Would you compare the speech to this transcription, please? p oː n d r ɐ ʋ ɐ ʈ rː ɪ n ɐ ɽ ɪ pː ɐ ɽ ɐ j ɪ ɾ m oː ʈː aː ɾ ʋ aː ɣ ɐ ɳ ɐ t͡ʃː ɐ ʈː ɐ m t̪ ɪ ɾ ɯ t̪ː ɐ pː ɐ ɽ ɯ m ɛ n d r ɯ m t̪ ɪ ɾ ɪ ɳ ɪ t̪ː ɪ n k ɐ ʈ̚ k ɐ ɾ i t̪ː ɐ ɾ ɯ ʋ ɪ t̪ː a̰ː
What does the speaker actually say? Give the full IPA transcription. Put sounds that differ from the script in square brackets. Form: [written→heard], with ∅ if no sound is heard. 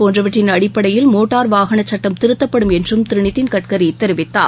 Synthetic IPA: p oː n d r ɐ ʋ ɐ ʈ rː ɪ n ɐ ɽ ɪ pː ɐ ɽ ɐ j ɪ [ɾ→l] m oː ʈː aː ɾ ʋ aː ɣ ɐ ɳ ɐ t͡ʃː ɐ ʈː ɐ m t̪ ɪ ɾ ɯ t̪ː ɐ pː ɐ ɽ ɯ m ɛ n d r ɯ m t̪ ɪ ɾ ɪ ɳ ɪ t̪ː ɪ n k ɐ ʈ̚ k ɐ ɾ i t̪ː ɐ ɾ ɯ ʋ ɪ t̪ː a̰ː